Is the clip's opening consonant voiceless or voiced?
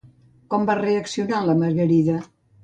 voiceless